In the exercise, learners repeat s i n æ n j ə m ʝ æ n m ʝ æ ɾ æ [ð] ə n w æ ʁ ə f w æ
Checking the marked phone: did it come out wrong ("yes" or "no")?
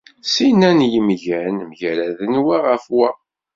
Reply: no